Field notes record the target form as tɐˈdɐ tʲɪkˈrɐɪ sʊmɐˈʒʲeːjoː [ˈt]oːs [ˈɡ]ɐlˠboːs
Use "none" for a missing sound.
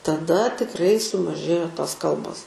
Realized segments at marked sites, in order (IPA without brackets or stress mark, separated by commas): t, k